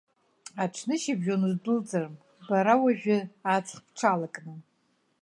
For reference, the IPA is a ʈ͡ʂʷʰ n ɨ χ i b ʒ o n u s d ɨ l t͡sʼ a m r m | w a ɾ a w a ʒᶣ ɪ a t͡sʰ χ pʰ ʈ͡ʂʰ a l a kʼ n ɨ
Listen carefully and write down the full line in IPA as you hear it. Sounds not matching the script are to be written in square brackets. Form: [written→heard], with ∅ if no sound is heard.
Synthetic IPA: a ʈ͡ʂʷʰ n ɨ [χ→ʃ] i b ʒ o n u [s→z] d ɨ l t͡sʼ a [m→∅] r m | [w→b] a ɾ a w a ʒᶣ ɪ a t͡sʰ χ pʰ ʈ͡ʂʰ a l a kʼ n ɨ